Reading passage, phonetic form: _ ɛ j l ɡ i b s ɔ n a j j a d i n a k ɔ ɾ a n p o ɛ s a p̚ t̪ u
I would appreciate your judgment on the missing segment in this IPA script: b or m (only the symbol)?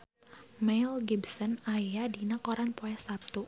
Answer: m